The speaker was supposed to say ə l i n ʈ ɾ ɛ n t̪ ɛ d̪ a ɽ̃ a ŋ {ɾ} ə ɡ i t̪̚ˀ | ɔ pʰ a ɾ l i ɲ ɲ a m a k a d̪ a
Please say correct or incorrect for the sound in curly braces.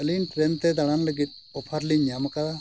incorrect